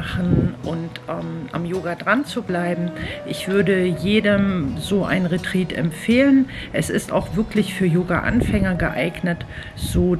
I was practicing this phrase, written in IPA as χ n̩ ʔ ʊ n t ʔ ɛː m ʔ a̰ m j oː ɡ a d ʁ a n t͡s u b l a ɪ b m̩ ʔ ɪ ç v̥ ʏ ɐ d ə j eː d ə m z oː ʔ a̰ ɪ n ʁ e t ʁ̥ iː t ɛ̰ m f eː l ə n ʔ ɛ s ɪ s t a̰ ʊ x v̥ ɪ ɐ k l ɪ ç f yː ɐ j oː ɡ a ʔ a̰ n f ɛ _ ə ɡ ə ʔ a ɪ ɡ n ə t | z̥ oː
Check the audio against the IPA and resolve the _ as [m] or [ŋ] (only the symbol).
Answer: ŋ